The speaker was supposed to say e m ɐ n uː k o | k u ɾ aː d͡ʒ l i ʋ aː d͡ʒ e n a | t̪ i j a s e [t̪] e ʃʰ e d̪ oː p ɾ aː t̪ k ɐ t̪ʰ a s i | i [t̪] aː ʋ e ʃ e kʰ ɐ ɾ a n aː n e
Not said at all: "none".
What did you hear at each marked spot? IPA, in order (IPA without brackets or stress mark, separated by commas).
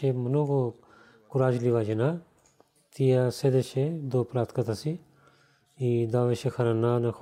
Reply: d̪, d̪